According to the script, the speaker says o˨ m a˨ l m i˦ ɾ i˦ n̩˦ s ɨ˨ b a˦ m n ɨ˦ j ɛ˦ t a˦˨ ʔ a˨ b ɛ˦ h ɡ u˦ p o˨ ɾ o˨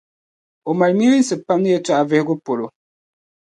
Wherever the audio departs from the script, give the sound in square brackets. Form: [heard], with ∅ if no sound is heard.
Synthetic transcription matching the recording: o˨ m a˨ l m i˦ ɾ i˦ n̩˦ s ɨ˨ [p] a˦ m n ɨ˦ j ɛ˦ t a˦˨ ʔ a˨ [v] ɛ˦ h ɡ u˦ p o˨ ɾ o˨